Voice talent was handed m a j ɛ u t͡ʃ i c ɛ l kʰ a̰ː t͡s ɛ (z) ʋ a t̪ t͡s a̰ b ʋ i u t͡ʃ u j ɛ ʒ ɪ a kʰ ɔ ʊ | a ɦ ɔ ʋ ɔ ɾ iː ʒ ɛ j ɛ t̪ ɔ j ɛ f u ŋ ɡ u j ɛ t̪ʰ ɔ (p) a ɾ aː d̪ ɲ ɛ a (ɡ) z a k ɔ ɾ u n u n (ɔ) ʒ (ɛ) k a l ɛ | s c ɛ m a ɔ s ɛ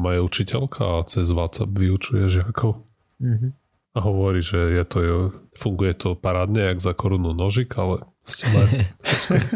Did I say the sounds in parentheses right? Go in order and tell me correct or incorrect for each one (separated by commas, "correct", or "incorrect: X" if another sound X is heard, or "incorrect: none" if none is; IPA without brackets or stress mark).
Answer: correct, correct, correct, correct, incorrect: i